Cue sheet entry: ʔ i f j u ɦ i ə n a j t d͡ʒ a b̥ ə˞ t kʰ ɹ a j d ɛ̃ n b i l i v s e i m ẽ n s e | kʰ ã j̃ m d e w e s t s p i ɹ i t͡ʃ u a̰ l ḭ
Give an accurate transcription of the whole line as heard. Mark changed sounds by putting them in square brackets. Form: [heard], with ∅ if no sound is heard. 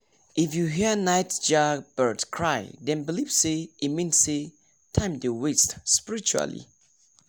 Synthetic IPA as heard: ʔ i f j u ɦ i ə n a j t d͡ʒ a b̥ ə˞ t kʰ ɹ a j d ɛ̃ n b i l i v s e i m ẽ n s e | [tʰ] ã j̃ m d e w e s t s p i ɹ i t͡ʃ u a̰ l ḭ